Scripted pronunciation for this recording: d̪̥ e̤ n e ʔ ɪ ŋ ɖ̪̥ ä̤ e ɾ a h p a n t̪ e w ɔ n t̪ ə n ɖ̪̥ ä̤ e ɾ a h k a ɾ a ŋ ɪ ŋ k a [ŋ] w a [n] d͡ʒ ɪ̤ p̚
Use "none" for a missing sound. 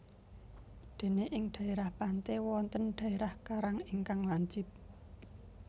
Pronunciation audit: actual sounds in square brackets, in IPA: ŋ, ɲ

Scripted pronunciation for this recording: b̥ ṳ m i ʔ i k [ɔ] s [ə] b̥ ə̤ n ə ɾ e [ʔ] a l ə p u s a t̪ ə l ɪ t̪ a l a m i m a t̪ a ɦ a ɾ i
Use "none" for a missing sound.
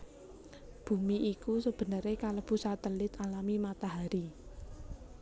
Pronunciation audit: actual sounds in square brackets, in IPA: u, ə, k

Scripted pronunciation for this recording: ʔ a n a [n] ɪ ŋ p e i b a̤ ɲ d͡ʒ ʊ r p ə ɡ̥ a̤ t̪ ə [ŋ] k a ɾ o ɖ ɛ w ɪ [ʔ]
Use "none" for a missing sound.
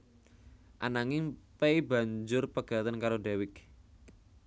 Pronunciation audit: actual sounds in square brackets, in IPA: ŋ, n, k

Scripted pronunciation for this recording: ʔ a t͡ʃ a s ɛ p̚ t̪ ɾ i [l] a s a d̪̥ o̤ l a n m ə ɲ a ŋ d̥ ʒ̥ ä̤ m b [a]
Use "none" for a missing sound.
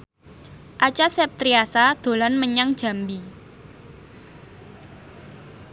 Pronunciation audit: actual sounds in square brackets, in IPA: none, i

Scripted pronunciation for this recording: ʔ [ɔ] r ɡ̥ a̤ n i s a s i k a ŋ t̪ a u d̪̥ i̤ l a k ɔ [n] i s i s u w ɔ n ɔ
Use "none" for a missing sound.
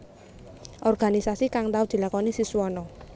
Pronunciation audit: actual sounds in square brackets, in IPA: ɔ, n

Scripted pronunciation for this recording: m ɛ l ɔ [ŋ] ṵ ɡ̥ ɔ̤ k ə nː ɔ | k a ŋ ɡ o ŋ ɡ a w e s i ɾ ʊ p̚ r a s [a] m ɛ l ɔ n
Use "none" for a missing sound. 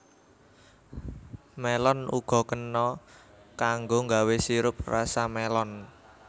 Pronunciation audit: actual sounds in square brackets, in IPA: n, a

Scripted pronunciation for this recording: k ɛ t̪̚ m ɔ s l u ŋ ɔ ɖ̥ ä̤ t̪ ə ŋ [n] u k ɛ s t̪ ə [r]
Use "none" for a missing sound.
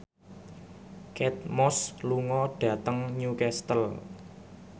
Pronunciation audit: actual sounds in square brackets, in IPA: ɲ, l

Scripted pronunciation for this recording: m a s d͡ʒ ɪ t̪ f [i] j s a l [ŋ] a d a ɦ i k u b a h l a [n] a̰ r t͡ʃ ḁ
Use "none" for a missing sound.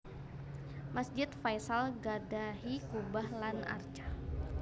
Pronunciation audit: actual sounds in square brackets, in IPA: a, ɡ, n

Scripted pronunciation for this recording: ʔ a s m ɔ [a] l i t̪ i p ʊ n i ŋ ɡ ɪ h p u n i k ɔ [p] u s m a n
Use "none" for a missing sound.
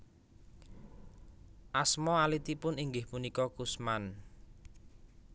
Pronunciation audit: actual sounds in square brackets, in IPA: a, k

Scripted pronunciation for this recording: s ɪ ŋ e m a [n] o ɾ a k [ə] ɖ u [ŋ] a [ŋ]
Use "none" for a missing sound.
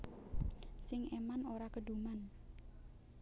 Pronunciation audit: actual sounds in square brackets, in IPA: n, ə, m, n

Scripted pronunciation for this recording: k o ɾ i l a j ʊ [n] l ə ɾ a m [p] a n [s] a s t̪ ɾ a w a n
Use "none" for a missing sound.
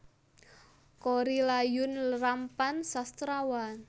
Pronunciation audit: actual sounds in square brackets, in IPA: n, p, s

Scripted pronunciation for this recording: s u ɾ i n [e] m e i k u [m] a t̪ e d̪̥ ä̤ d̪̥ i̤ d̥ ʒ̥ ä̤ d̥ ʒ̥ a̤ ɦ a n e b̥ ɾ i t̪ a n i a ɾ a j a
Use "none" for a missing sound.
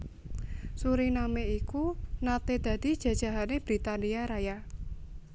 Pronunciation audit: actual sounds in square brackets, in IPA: a, n

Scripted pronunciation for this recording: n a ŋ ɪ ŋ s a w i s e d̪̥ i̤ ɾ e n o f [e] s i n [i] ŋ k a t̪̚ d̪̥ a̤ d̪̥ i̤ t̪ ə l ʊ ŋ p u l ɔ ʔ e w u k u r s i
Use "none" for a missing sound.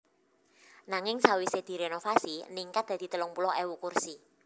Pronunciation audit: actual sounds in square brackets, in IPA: a, i

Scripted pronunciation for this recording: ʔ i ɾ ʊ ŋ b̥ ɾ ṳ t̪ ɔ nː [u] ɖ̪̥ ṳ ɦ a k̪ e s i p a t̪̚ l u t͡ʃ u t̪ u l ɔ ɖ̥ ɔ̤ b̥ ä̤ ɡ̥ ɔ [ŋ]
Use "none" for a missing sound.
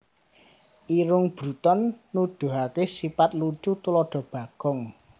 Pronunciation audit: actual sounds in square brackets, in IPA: u, ŋ

